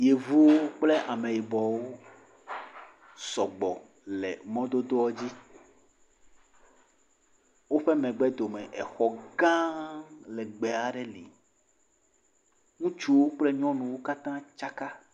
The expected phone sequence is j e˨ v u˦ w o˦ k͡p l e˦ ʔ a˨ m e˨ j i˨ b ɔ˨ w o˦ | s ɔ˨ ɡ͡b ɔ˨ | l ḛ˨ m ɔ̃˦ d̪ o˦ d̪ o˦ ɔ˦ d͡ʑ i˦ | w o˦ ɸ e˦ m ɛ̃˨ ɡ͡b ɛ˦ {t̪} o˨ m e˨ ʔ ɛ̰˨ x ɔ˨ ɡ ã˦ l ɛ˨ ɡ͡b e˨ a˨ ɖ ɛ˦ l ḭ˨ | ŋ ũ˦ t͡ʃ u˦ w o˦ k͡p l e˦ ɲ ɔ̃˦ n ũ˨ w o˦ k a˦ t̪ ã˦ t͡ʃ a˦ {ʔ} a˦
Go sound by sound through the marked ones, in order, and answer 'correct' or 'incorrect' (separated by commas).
incorrect, incorrect